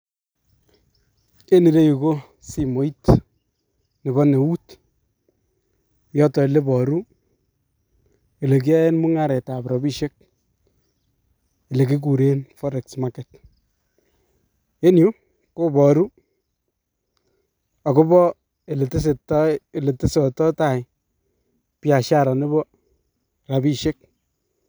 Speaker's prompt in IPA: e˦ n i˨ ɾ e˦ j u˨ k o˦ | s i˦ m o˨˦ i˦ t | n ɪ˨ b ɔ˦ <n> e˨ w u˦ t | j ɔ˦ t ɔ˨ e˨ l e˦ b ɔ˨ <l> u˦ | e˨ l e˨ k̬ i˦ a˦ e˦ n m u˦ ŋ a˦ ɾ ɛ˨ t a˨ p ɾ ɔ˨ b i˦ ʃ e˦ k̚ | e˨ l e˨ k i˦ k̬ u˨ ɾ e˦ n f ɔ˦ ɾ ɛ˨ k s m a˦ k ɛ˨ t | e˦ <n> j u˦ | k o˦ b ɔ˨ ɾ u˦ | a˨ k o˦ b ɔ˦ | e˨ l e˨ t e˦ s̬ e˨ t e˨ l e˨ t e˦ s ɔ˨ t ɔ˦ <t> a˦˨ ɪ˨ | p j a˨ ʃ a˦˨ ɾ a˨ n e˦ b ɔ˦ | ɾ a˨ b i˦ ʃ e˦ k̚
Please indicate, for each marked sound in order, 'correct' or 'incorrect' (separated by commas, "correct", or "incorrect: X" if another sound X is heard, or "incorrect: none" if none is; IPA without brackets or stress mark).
correct, incorrect: ɾ, correct, correct